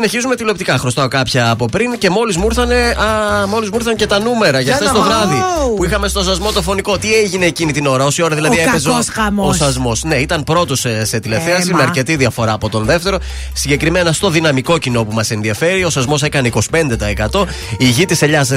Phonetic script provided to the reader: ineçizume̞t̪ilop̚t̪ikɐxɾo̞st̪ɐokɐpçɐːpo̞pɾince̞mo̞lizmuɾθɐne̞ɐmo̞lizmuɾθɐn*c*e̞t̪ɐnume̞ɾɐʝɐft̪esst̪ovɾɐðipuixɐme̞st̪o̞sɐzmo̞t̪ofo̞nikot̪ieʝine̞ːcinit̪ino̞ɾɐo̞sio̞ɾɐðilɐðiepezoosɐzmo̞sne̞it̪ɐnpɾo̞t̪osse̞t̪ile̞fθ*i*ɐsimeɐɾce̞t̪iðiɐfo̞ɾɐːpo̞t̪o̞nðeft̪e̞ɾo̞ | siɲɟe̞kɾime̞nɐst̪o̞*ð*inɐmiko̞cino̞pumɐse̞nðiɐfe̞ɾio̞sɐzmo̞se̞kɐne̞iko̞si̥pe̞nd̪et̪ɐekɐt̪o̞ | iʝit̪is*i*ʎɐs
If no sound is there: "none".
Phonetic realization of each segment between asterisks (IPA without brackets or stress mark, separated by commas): c, e, ð, e